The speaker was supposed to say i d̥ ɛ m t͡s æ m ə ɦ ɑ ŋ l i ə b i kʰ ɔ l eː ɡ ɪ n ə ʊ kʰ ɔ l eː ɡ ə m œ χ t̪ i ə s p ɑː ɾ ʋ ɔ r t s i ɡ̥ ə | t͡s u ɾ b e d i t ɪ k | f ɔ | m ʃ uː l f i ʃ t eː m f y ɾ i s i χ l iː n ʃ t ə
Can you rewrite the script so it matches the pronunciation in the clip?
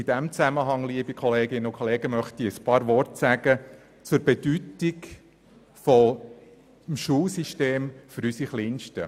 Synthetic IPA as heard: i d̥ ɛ m t͡s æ m ə ɦ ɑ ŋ l i ə b i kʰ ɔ l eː ɡ ɪ n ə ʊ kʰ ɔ l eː ɡ ə m œ χ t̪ i ə s p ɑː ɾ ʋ ɔ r t s æ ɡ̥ ə | t͡s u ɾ b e d y t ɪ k | f ɔ | m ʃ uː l s i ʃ t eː m f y ɾ y s i χ l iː n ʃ t ə